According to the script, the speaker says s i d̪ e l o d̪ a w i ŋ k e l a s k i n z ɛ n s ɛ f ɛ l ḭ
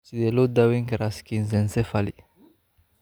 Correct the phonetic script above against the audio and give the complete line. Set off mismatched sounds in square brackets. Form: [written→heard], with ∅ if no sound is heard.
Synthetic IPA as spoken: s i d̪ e l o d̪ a w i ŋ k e [l→ɾ] a s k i n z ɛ n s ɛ f [ɛ→a] l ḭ